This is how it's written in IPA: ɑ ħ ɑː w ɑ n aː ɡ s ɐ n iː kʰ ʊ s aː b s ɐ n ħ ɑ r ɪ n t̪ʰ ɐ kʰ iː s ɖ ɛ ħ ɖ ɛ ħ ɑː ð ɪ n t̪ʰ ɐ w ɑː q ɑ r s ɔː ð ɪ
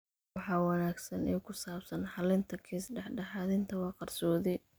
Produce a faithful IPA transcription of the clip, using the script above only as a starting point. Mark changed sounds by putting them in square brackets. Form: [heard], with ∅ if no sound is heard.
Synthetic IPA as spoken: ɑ ħ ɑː w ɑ n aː ɡ s ɐ n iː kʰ ʊ s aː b s ɐ n ħ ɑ [l] ɪ n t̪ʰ ɐ kʰ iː s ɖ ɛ ħ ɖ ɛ ħ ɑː ð ɪ n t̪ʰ ɐ w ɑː q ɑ r s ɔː ð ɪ